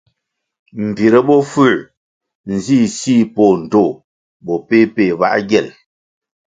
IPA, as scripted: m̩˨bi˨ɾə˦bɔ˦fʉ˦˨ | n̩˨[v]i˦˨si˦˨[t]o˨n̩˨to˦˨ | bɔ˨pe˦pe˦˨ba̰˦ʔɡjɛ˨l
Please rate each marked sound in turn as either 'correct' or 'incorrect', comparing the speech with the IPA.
incorrect, incorrect

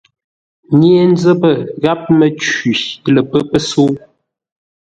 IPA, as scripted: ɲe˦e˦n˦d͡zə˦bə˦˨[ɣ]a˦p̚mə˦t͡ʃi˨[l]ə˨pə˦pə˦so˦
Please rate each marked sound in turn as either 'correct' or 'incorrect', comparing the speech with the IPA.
correct, correct

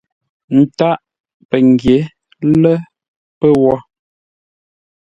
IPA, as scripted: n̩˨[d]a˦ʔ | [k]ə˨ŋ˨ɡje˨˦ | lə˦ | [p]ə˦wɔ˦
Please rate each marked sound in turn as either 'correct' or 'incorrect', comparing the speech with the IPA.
incorrect, incorrect, correct

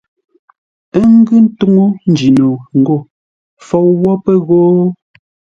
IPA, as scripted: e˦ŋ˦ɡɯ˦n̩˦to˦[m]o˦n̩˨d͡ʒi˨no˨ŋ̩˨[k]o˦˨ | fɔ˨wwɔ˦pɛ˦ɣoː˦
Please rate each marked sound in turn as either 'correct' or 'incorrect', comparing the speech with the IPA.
incorrect, incorrect

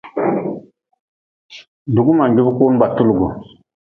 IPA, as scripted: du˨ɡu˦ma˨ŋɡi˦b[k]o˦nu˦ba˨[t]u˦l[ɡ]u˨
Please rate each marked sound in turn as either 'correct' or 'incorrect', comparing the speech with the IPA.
correct, correct, correct

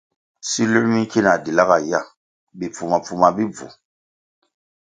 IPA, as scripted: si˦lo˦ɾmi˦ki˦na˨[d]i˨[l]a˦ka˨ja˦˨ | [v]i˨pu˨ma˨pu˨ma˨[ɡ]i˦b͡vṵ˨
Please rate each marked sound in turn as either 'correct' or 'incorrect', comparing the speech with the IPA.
correct, correct, incorrect, incorrect

